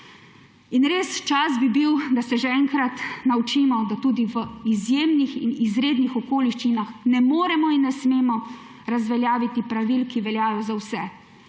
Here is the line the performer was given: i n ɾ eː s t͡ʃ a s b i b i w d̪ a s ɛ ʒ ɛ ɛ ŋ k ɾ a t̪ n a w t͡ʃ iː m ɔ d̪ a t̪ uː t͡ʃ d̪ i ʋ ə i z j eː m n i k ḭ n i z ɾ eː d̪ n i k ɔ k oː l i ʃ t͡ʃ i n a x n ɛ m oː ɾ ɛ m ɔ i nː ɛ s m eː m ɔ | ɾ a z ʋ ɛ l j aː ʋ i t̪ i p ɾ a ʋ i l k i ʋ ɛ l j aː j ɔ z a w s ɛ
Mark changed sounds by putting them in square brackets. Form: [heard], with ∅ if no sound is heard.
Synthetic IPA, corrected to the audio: i n ɾ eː s t͡ʃ a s b i b i w d̪ a s ɛ ʒ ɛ ɛ ŋ k ɾ a t̪ n a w t͡ʃ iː m ɔ d̪ a t̪ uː [∅] d̪ i ʋ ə i z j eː m n i [x] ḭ n i z ɾ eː d̪ n i [x] ɔ k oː l i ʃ t͡ʃ i n a x n ɛ m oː ɾ ɛ m ɔ i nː ɛ s m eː m ɔ | ɾ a z ʋ ɛ l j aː ʋ i t̪ i p ɾ a ʋ i l k i ʋ ɛ l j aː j ɔ z a w s ɛ